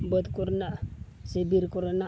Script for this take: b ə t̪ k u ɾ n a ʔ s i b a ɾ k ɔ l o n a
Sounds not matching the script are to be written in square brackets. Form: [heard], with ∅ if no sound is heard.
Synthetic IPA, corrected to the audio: b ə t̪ k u ɾ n a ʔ s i b [i] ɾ k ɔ [ɾ] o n a